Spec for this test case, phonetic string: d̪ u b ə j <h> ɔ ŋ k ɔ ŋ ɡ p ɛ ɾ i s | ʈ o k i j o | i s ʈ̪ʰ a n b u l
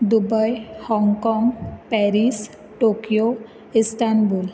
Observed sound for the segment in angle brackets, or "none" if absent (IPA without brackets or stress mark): h